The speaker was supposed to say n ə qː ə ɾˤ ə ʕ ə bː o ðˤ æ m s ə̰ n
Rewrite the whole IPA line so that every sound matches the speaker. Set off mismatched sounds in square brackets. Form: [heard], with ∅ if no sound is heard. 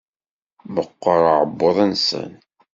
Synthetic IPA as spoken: [m] ə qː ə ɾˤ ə ʕ ə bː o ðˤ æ [n] s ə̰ n